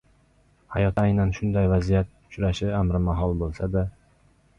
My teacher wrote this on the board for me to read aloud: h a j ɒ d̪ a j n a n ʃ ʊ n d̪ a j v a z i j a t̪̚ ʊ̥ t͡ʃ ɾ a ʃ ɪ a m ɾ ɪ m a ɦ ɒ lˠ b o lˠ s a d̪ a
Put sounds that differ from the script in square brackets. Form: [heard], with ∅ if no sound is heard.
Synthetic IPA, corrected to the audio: h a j ɒ [t̪] a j n a n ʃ ʊ n d̪ a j v a z i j a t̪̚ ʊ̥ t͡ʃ ɾ a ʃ ɪ a m ɾ ɪ m a ɦ ɒ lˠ b o lˠ s a d̪ a